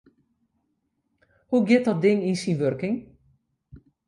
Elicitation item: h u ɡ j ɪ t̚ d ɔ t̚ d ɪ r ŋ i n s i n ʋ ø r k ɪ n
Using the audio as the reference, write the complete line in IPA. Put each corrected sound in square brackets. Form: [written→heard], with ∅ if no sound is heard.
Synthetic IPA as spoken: h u ɡ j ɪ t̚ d ɔ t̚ d ɪ [r→∅] ŋ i n s i n ʋ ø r k ɪ [n→ŋ]

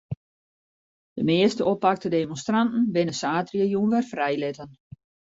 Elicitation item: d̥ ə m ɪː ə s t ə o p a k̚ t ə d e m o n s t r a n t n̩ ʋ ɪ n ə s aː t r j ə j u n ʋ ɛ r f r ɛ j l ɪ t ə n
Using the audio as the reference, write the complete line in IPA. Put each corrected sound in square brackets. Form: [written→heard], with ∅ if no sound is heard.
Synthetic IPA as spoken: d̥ ə m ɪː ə s t ə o p a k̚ t ə d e m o n s t r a n t n̩ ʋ ɪ n ə s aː t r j ə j u n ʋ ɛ r f r ɛ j l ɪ t ə n

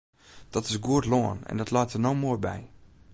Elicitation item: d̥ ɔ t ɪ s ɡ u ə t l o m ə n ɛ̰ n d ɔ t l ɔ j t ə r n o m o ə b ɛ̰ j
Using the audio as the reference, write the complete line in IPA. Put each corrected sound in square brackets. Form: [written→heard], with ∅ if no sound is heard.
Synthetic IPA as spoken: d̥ ɔ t ɪ s ɡ u ə t l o [m→∅] ə n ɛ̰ n d ɔ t l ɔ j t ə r n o m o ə b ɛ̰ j

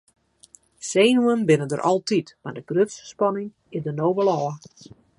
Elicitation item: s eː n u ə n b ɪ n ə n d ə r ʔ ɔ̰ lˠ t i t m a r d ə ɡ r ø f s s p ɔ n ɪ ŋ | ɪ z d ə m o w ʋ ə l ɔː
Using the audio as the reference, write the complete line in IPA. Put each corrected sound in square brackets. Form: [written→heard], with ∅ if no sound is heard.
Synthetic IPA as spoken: s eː n u ə n b ɪ n ə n d ə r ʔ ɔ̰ lˠ t i t m a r d ə ɡ r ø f s s p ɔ n ɪ ŋ | ɪ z d ə [m→n] o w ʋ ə l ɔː

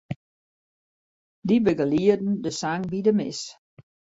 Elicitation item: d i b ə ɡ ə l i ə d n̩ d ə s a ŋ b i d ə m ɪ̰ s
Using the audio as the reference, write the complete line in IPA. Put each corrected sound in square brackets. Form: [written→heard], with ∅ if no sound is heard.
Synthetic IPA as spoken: d i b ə ɡ ə l i ə d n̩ d ə s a ŋ b i d ə m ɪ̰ s

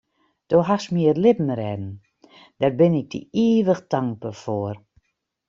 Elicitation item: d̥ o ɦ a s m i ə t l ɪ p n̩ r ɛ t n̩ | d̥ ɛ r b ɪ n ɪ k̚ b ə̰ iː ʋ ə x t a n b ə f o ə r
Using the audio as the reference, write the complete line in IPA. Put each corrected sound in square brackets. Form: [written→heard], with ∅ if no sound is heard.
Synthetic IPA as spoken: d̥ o ɦ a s m i ə t l ɪ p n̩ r ɛ [t→d] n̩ | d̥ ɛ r b ɪ n ɪ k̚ [b→d] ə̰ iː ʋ ə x t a [n→ŋ] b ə f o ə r

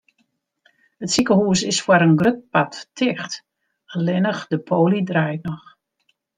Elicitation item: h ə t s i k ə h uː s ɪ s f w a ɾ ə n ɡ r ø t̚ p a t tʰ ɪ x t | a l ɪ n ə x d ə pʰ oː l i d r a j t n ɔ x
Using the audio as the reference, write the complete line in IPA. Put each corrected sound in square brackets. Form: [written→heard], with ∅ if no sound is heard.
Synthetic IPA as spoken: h ə t s i k ə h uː s ɪ s f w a ɾ ə n ɡ r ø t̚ p a t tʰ ɪ x t | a l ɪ n ə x d ə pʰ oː l i d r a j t n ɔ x

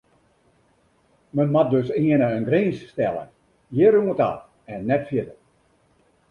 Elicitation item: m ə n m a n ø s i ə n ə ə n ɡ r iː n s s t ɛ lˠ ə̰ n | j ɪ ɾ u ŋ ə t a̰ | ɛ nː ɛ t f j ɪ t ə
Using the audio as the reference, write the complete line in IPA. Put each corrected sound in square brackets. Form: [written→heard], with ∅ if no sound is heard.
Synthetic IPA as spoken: m ə n m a [n→d] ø s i ə n ə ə n ɡ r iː n s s t ɛ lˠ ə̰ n | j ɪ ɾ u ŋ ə t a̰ | ɛ nː ɛ t f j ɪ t ə

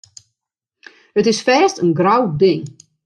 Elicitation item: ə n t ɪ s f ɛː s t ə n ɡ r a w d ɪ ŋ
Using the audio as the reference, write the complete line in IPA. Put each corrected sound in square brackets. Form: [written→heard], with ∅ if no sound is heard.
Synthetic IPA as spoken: ə [n→∅] t ɪ s f ɛː s t ə n ɡ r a w d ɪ ŋ

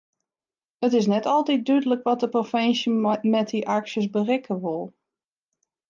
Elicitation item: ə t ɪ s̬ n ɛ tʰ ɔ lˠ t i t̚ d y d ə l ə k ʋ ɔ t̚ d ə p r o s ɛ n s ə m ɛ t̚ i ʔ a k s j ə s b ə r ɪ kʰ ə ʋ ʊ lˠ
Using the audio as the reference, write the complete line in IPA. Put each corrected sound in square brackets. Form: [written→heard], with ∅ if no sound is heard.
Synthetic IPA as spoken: ə t ɪ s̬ n ɛ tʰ ɔ lˠ t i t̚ d y d ə l ə k ʋ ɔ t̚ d ə p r o [s→f] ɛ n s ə m ɛ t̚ i ʔ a k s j ə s b ə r ɪ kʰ ə ʋ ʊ lˠ

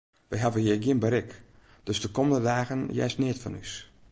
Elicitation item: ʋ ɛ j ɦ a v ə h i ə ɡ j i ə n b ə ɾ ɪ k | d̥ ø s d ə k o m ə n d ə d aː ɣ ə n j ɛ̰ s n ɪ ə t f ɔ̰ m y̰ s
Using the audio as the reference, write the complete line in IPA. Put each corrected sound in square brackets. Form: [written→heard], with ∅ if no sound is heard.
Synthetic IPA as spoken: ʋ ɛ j ɦ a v ə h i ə ɡ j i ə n b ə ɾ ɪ k | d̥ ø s d ə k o m ə n d ə d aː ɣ ə n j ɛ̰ s n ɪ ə t f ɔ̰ [m→n] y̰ s

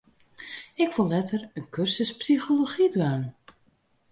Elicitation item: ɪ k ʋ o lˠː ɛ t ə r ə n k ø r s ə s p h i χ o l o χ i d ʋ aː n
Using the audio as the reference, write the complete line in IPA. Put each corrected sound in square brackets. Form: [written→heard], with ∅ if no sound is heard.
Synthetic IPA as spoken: ɪ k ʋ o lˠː ɛ t ə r ə n k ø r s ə s p [h→s] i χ o l o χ i d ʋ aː n

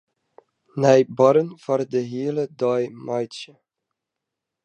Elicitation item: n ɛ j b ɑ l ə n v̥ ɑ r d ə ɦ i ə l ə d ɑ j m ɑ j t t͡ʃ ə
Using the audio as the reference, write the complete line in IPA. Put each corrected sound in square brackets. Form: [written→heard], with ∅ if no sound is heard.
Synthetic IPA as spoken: n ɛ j b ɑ [l→ɾ] ə n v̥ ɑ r d ə ɦ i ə l ə d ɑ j m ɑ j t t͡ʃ ə

